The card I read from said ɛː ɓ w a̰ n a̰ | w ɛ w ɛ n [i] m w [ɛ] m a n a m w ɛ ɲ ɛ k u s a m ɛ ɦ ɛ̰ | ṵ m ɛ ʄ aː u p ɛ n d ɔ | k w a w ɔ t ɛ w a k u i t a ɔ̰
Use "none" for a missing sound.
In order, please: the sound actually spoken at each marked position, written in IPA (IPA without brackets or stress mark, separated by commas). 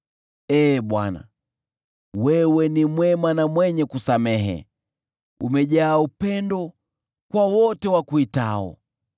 i, ɛ